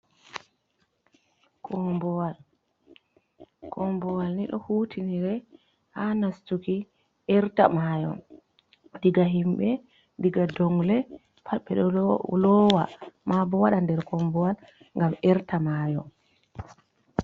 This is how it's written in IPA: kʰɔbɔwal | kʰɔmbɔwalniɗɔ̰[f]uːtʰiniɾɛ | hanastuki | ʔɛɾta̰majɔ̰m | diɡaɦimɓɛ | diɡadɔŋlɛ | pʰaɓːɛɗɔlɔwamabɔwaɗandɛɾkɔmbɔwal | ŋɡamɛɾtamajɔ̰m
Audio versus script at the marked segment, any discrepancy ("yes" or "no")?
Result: yes